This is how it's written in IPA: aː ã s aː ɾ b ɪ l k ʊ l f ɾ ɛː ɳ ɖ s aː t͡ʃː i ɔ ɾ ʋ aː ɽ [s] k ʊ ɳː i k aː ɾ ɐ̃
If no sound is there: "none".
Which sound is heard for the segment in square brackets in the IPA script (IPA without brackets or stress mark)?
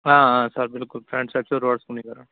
s